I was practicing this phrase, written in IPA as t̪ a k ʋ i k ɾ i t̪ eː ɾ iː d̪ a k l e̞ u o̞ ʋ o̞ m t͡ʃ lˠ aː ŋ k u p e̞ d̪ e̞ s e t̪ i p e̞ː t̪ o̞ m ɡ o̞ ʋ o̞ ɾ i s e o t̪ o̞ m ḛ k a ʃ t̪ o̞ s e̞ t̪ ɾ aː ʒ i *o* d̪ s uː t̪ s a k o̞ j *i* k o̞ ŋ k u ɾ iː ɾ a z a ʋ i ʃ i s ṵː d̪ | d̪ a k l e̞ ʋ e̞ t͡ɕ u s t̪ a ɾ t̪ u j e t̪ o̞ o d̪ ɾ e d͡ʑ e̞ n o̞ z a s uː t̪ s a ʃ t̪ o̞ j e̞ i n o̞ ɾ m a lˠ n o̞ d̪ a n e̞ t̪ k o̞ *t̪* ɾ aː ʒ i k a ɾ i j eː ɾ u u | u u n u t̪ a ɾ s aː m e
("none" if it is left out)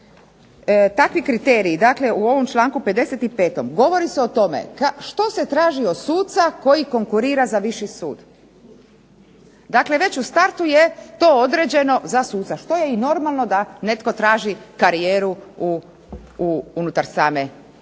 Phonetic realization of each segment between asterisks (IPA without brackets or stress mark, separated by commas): o, i, t̪